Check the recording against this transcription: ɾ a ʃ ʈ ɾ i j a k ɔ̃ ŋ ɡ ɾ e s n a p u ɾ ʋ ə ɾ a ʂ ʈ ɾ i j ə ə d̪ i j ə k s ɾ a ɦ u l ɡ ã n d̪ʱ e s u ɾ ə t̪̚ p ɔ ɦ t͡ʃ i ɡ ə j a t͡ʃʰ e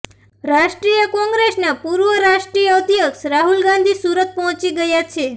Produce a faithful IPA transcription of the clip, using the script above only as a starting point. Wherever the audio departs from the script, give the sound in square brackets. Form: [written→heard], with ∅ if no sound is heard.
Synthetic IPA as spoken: ɾ a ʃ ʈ ɾ i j [a→ə] k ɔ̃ ŋ ɡ ɾ e s n a p u ɾ ʋ ə ɾ a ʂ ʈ ɾ i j ə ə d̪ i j ə k s ɾ a ɦ u l ɡ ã n d̪ʱ [e→i] s u ɾ ə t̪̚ p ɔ ɦ t͡ʃ i ɡ ə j a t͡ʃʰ e